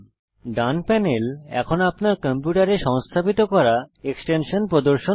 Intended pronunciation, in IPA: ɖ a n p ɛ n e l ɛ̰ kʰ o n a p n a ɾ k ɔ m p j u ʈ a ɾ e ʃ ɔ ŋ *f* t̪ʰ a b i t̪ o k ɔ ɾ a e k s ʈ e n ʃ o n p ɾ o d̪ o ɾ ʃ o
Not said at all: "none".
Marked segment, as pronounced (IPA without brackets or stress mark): s